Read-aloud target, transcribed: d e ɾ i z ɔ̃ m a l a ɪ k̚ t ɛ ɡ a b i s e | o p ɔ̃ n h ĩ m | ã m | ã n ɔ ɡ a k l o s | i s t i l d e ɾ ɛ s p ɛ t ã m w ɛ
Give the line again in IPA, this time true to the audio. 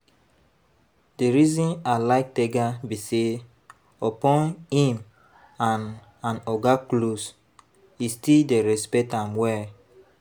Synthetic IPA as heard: d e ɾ i z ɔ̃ n a l a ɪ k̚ t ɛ ɡ a b i s e | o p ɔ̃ n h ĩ m | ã n | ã n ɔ ɡ a k l o s | i s t i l d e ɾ ɛ s p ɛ t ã m w ɛ

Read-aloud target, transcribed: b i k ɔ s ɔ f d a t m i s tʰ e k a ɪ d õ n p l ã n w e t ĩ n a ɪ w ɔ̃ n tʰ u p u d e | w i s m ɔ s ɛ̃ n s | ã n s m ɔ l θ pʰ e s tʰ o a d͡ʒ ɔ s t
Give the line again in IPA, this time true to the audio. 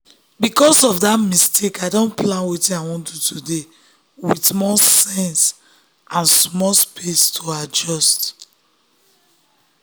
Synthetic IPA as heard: b i k ɔ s ɔ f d a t m i s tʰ e k a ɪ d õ n p l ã n w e t ĩ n a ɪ w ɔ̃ n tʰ u t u d e | w i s m ɔ s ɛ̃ n s | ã n s m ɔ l s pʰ e s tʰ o a d͡ʒ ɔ s t

